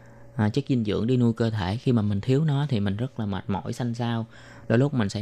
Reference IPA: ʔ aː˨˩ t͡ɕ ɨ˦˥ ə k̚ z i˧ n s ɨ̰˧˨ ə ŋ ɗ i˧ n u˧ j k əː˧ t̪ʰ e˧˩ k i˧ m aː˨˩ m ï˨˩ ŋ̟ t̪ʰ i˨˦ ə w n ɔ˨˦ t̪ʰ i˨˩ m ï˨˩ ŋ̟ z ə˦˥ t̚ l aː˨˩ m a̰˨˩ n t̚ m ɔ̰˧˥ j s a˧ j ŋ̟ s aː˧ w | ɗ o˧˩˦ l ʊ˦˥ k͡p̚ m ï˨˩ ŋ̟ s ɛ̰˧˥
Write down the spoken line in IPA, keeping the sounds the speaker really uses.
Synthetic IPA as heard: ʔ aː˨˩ t͡ɕ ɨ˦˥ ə k̚ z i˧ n z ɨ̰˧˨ ə ŋ ɗ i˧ n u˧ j k əː˧ t̪ʰ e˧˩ x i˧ m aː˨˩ m ï˨˩ ŋ̟ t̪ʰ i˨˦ ə w n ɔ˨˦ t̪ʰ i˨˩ m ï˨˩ ŋ̟ z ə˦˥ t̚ l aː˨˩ m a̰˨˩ t̚ m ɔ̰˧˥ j s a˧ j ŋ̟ s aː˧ w | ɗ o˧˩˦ l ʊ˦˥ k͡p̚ m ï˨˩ ŋ̟ s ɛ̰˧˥